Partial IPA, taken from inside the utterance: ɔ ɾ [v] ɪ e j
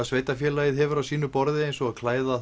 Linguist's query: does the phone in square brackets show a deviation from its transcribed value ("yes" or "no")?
yes